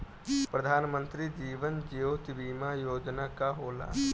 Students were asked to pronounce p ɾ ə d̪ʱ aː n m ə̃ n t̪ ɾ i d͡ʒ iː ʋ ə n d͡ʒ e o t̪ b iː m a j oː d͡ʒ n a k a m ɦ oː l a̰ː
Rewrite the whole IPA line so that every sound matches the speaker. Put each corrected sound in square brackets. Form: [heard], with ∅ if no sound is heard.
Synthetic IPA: p ɾ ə d̪ʱ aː n m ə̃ n t̪ ɾ i d͡ʒ iː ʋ ə n d͡ʒ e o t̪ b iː m a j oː d͡ʒ n a k a [∅] ɦ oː l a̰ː

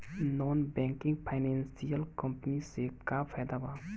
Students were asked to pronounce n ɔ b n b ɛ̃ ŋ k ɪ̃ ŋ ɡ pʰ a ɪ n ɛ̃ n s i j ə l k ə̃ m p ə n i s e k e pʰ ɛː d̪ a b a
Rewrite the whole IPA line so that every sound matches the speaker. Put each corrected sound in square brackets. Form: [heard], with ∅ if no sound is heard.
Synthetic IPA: n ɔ [∅] n b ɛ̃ ŋ k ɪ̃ ŋ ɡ pʰ a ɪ n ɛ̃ n s i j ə l k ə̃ m p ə n i s e k [a] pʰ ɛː d̪ a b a

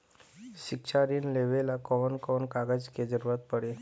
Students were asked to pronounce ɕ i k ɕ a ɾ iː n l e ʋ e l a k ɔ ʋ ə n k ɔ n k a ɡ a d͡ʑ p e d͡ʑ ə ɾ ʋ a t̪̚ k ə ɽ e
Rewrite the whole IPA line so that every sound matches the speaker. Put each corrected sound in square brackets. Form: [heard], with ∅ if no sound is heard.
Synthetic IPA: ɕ i k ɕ a ɾ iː n l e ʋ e l a k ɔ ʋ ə n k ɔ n k a ɡ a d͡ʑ [k] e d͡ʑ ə ɾ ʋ a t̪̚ [p] ə ɽ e

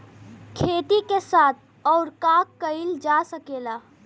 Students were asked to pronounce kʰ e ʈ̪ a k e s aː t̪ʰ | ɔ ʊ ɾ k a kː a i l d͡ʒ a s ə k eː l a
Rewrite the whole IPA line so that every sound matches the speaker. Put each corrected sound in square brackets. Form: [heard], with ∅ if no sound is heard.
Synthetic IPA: kʰ e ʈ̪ [i] k e s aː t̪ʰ | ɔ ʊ ɾ k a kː [ə] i l d͡ʒ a s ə k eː l a

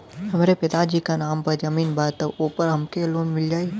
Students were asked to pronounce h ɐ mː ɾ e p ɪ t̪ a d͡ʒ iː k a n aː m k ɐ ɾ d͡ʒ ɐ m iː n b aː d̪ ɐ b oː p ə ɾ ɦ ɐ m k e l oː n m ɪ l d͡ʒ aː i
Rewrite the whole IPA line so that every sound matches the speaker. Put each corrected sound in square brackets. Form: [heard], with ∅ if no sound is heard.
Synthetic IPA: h ɐ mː ɾ e p ɪ t̪ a d͡ʒ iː k a n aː m [p] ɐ ɾ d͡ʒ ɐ m iː n b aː [t̪] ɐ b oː p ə ɾ ɦ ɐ m k e l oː n m ɪ l d͡ʒ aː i

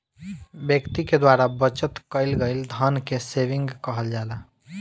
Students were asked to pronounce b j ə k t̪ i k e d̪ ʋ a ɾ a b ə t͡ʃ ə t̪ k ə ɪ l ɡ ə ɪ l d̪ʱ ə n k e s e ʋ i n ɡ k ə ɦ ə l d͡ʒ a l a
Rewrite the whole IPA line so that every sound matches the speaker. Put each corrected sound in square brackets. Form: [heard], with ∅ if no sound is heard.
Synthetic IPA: b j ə k t̪ i k e d̪ [w] a ɾ a b ə t͡ʃ ə t̪ k ə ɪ l ɡ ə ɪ l d̪ʱ ə n k e s e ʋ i [ŋ] ɡ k ə ɦ ə l d͡ʒ a l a

